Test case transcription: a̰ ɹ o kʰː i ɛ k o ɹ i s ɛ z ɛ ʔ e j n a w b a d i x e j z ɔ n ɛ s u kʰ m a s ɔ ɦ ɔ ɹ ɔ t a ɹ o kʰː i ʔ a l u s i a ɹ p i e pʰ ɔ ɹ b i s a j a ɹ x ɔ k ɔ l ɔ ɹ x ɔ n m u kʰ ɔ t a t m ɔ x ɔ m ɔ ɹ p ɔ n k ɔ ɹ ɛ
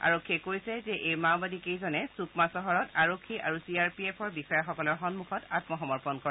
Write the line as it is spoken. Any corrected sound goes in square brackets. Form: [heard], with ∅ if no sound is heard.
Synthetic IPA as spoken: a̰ ɹ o kʰː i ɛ k o ɹ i s ɛ z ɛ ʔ e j [m] a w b a d i [k] e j z ɔ n ɛ s u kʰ m a s ɔ ɦ ɔ ɹ ɔ t a ɹ o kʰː i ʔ a [ɹ] u s i a ɹ p i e pʰ ɔ ɹ b i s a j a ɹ x ɔ k ɔ l ɔ ɹ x ɔ n m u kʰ ɔ t a t m ɔ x ɔ m ɔ ɹ p ɔ n k ɔ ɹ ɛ